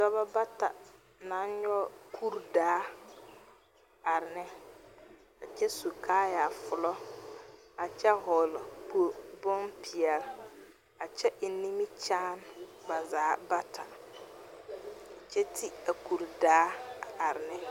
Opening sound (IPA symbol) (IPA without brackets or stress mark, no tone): d